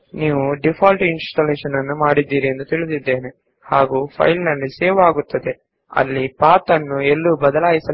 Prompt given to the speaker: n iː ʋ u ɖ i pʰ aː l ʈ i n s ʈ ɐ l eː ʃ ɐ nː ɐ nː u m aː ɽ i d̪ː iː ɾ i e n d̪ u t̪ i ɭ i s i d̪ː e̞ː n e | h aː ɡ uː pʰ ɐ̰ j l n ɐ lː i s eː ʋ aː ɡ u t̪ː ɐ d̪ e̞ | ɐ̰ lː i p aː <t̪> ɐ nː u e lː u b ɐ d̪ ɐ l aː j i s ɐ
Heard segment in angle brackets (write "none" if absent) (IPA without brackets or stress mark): t̪